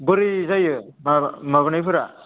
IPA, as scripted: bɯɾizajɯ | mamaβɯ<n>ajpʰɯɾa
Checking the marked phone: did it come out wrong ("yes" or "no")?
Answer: no